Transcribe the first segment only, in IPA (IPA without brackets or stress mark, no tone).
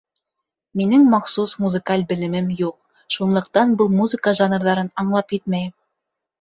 m